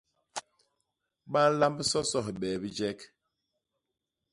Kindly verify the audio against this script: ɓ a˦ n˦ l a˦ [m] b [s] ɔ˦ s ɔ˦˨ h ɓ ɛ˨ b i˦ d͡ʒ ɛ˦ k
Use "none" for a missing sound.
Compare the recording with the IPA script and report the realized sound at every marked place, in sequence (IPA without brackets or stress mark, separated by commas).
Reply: m, s